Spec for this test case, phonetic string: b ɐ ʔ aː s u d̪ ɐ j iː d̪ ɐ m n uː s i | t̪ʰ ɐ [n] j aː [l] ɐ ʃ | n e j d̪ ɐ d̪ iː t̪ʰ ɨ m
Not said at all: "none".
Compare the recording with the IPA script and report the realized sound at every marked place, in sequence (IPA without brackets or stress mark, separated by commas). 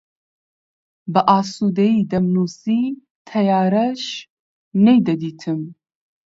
none, ɾ